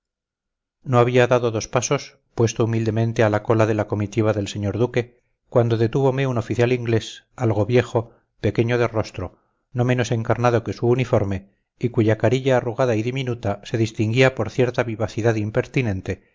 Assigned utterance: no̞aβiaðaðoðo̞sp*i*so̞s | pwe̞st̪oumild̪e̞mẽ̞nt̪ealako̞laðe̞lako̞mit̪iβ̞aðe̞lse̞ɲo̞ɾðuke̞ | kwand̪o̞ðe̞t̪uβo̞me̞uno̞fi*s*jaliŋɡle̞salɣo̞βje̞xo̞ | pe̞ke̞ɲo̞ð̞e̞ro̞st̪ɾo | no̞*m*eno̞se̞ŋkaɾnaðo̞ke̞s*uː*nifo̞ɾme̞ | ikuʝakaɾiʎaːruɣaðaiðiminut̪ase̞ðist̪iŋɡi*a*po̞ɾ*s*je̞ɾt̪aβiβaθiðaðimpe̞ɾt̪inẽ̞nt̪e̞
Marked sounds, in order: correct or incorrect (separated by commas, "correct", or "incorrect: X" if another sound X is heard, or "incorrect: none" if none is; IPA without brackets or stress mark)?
incorrect: a, incorrect: θ, correct, correct, correct, incorrect: θ